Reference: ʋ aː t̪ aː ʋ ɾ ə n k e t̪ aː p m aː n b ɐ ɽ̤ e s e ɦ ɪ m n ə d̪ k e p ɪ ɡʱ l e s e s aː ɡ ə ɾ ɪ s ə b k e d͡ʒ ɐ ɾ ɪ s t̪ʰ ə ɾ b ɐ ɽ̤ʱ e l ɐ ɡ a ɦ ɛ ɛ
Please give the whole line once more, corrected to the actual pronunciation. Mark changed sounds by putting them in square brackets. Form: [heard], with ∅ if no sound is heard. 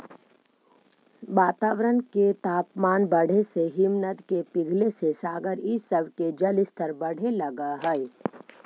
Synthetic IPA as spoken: ʋ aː t̪ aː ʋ ɾ ə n k e t̪ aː p m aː n b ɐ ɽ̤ e s e ɦ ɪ m n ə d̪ k e p ɪ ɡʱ l e s e s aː ɡ ə ɾ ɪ s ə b k e d͡ʒ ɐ [l] ɪ s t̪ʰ ə ɾ b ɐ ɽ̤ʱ e l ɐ ɡ a ɦ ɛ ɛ

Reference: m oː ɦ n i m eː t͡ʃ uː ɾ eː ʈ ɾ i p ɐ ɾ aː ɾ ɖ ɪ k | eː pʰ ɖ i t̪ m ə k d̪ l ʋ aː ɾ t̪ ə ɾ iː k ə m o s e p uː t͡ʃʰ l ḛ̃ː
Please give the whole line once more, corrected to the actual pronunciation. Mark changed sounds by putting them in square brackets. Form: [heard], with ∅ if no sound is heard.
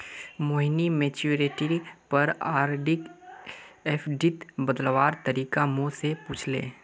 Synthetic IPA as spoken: m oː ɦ n i m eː t͡ʃ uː ɾ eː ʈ ɾ i p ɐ ɾ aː ɾ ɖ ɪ k | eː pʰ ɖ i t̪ [b] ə [∅] d̪ l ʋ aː ɾ t̪ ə ɾ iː k [a] m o s e p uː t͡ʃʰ l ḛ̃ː

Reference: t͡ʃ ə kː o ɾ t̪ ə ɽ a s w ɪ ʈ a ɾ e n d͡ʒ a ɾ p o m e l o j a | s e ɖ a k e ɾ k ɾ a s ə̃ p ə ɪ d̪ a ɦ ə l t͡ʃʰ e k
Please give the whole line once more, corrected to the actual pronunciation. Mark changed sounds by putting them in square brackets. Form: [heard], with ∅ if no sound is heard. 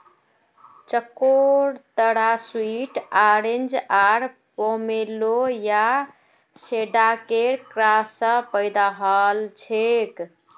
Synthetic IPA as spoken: t͡ʃ ə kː o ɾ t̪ ə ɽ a s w [i] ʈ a ɾ e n d͡ʒ a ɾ p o m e l o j a | s e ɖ a k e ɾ k ɾ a s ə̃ p ə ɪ d̪ a ɦ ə l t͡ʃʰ e k

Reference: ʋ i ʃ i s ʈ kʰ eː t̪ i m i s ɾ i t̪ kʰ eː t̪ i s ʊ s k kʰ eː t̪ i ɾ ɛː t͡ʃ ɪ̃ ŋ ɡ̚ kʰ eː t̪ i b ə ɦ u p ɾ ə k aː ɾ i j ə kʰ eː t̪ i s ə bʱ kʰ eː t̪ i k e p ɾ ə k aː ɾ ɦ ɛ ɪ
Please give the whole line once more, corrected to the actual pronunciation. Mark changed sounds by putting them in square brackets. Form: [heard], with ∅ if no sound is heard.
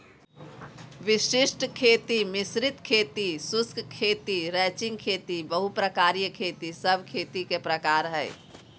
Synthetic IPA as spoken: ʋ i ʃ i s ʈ kʰ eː t̪ i m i s ɾ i t̪ kʰ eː t̪ i s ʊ s k kʰ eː t̪ i ɾ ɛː t͡ʃ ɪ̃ ŋ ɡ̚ kʰ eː t̪ i b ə ɦ u p ɾ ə k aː ɾ i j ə kʰ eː t̪ i s ə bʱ kʰ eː t̪ i k e p ɾ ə k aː ɾ ɦ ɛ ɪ

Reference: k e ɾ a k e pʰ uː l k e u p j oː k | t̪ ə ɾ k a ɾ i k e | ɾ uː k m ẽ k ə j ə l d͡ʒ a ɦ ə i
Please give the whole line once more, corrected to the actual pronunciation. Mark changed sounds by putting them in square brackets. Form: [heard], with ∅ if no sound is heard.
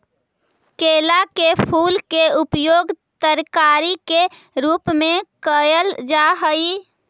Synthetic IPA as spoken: k e [l] a k e pʰ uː l k e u p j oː [ɡ] | t̪ ə ɾ k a ɾ i k e | ɾ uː [p] m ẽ k ə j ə l d͡ʒ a ɦ ə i

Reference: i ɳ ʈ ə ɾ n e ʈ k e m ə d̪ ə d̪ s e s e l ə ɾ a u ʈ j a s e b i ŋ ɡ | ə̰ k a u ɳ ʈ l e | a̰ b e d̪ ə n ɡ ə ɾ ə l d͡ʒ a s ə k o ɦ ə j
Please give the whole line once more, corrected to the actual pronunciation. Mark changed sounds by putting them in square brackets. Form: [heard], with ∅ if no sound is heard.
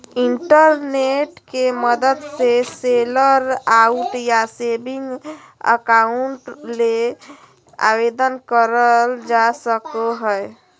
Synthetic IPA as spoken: i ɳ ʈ ə ɾ n e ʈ k e m ə d̪ ə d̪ s e s e l ə ɾ a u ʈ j a s e b i ŋ ɡ | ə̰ k a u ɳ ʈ l e | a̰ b e d̪ ə n [k] ə ɾ ə l d͡ʒ a s ə k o ɦ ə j

